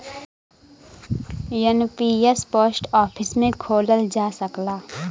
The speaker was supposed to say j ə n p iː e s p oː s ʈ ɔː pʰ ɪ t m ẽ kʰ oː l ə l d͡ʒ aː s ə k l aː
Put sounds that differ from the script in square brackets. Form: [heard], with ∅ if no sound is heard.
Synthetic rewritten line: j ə n p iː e s p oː s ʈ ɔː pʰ ɪ [s] m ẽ kʰ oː l ə l d͡ʒ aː s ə k l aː